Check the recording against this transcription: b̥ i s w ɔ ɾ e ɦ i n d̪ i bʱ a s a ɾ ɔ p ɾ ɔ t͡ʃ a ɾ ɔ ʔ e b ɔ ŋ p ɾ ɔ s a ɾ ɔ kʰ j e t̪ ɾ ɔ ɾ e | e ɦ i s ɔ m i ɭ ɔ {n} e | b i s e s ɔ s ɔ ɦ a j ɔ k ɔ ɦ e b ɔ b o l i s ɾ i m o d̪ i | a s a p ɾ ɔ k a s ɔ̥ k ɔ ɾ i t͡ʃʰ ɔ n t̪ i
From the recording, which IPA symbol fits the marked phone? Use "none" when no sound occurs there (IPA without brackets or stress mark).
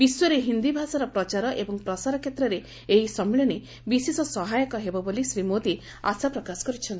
n